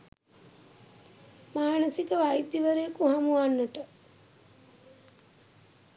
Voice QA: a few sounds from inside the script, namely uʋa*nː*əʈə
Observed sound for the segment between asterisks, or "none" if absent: nː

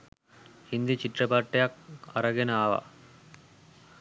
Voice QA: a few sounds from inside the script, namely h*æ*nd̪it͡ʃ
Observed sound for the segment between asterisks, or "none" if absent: i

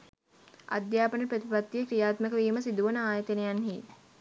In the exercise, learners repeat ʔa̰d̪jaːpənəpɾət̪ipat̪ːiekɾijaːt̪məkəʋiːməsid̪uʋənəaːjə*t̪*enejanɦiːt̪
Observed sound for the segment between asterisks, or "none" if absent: t̪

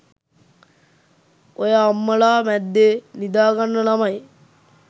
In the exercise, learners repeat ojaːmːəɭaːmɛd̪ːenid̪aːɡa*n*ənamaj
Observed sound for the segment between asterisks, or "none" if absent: nː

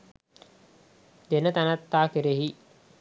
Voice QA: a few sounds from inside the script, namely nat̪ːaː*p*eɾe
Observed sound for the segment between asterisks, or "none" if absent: k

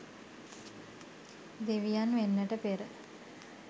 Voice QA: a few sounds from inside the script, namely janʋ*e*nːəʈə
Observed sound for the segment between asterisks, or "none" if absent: e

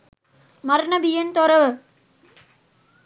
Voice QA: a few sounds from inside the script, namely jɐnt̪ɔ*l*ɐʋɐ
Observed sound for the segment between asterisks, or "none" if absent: ɾ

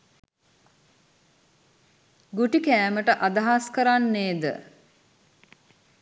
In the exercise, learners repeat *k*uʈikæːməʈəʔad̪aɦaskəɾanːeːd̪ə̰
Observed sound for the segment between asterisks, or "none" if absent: ɡ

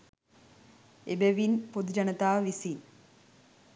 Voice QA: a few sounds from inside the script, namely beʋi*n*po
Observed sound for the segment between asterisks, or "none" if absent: n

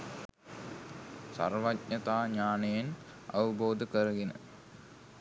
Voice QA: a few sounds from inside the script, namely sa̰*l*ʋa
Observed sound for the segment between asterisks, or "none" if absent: r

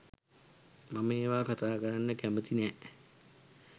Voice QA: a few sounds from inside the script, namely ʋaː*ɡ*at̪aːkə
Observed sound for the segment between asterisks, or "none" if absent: k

